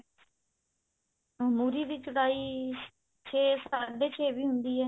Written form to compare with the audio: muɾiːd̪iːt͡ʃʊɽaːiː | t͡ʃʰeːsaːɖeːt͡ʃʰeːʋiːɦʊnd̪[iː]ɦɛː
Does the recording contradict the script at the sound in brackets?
no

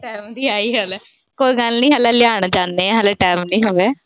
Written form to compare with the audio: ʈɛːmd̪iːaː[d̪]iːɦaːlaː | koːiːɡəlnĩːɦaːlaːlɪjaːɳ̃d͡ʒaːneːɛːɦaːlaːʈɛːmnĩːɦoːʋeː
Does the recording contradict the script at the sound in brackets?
yes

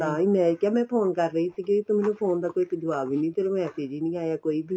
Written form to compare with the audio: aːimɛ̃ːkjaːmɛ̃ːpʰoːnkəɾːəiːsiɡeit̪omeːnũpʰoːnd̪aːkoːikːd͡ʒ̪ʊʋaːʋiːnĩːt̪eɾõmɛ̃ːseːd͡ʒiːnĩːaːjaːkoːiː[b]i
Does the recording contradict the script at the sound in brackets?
no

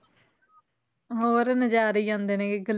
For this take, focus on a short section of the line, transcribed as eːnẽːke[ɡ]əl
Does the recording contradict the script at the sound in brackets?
no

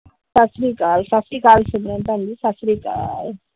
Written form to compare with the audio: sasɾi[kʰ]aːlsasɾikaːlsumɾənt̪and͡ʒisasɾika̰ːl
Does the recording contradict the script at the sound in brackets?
yes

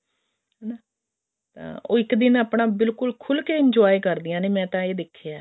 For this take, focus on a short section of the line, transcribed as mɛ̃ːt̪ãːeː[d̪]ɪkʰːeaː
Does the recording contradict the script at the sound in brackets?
no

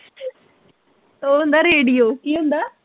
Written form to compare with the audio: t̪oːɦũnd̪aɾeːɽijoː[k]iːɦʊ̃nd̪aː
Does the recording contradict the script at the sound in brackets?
no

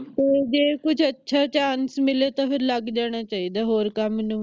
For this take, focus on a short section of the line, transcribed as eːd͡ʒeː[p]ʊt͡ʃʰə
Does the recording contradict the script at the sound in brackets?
yes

